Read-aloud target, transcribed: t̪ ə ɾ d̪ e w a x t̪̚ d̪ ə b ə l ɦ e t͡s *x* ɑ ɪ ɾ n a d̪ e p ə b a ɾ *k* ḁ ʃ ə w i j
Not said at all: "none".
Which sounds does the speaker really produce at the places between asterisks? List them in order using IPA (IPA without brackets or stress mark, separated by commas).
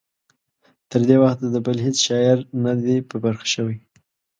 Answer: ʃ, x